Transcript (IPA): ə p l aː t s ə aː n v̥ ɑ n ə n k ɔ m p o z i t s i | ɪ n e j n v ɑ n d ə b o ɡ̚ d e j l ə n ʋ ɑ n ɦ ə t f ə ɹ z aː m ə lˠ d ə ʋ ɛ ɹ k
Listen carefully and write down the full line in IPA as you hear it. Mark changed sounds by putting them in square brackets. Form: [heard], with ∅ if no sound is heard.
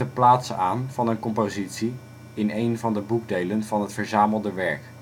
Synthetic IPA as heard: ə p l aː t s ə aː n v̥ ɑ n ə n k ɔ m p o z i t s i | ɪ n e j n v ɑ n d ə b [u] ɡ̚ d e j l ə n [v] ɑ n ɦ ə t f ə ɹ z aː m ə lˠ d ə ʋ ɛ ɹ k